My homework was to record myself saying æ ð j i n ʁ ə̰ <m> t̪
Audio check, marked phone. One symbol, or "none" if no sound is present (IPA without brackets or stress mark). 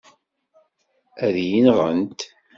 n